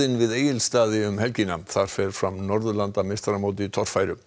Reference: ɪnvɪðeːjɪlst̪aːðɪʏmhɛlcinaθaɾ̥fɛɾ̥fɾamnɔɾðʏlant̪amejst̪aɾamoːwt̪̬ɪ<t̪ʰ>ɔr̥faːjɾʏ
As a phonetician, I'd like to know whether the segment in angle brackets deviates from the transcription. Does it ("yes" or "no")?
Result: no